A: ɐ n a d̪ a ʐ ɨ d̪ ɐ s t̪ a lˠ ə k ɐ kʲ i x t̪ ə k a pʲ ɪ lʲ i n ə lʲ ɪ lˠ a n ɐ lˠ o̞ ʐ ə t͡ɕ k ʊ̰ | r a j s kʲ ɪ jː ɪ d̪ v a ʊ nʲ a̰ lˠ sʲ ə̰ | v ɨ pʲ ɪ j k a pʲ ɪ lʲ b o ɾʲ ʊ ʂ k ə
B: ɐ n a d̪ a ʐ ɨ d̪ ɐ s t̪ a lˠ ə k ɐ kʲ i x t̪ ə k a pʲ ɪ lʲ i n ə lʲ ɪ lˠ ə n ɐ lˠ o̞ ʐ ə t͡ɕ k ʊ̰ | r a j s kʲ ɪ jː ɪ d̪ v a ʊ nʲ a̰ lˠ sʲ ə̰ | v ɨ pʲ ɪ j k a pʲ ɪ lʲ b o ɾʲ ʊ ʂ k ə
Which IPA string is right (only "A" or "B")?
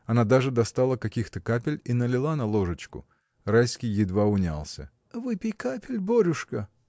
A